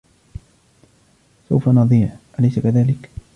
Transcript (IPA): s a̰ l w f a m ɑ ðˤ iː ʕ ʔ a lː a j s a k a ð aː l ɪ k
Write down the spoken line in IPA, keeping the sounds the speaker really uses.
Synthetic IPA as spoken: s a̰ w f a n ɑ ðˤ iː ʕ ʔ a l a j s a k a ð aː l ɪ k

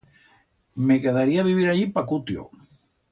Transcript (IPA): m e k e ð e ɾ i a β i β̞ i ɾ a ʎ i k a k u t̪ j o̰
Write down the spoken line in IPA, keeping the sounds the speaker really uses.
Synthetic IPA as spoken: m e k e ð a ɾ i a β i β̞ i ɾ a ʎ i p a k u t̪ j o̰

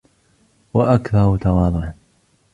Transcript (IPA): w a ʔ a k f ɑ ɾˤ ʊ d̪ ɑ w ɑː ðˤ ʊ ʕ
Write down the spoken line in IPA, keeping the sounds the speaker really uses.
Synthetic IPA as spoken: w a ʔ a k θ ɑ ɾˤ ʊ t̪ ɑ w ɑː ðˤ ʊ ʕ

